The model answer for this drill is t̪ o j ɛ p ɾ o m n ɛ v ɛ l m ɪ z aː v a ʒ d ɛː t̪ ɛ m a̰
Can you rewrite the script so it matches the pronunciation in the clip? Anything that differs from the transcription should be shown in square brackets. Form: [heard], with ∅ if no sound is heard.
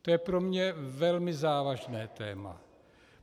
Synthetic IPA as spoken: t̪ o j ɛ p ɾ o m [ɲ] ɛ v ɛ l m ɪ z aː v a ʒ [n] ɛː t̪ [ɛː] m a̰